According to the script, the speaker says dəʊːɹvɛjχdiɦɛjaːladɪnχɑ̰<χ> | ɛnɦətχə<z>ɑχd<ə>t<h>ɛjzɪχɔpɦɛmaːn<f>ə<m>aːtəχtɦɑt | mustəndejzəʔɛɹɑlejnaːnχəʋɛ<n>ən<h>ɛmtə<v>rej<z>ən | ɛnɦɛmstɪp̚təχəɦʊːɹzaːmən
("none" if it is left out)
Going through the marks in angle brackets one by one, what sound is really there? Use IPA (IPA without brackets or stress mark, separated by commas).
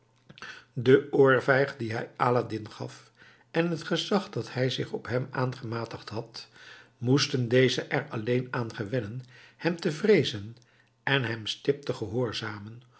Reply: f, z, ɑ, h, χ, m, n, h, v, z